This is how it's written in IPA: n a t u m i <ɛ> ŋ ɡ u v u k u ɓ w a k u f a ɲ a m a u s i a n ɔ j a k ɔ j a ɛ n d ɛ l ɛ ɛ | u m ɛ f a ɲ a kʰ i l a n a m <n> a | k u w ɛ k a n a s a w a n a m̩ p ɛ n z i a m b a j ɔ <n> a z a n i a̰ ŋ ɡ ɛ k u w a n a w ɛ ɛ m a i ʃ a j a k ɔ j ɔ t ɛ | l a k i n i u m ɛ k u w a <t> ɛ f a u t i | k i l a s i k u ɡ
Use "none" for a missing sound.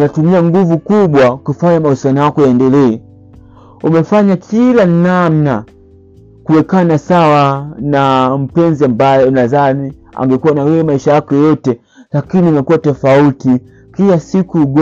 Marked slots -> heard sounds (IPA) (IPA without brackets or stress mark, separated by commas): a, n, n, t